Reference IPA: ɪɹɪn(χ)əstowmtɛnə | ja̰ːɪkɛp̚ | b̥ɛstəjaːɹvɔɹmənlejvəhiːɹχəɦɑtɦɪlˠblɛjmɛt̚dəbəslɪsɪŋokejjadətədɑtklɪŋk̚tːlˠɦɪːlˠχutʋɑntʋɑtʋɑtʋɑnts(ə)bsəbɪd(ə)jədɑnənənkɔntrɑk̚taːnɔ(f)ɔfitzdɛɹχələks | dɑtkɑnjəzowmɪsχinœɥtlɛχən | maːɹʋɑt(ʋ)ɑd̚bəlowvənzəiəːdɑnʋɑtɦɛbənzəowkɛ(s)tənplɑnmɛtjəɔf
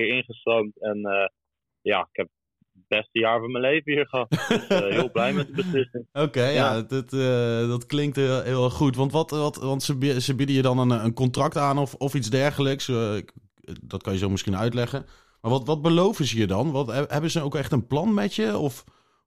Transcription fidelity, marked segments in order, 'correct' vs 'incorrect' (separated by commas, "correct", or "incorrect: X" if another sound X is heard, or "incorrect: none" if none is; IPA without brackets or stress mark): correct, correct, correct, correct, correct, incorrect: χ